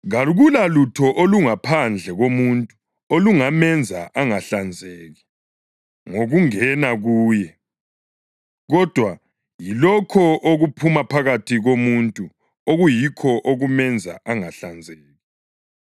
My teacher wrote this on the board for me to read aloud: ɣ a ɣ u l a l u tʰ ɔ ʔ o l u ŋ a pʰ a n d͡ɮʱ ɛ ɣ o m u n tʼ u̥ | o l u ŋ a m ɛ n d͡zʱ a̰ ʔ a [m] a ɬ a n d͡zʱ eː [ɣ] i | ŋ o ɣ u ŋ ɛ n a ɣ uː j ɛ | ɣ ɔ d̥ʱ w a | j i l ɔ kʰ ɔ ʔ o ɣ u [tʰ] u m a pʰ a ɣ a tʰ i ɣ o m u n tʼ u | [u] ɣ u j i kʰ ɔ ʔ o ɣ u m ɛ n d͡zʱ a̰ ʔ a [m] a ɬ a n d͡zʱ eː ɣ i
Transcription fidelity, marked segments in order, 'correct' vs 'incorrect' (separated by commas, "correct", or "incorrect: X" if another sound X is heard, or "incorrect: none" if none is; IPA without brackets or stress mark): incorrect: ŋ, correct, incorrect: pʰ, incorrect: o, incorrect: ŋ